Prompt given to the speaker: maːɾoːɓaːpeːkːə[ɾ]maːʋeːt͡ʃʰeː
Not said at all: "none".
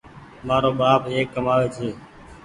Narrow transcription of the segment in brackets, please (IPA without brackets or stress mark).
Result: none